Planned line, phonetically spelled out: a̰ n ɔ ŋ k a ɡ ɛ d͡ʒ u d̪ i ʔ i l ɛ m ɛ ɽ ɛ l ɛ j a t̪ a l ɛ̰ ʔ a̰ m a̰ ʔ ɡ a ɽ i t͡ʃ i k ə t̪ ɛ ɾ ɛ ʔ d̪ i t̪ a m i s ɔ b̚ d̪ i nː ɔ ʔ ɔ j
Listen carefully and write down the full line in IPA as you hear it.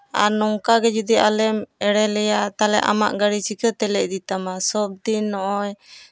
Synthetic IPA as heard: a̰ n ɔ ŋ k a ɡ ɛ d͡ʒ u d̪ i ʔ a l ɛ m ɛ ɽ ɛ l ɛ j a t̪ a l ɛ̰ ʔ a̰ m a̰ ʔ ɡ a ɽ i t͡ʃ i k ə t̪ ɛ l ɛ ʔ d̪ i t̪ a m a s ɔ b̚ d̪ i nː ɔ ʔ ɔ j